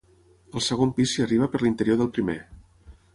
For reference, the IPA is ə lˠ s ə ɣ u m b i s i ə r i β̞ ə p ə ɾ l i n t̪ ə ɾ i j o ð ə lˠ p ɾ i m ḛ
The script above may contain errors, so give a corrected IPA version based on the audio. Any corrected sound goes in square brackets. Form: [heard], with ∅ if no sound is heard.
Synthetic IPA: ə lˠ s ə ɣ [o] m [p] i s i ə r i β̞ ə p ə ɾ l i n t̪ ə ɾ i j o ð ə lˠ p ɾ i m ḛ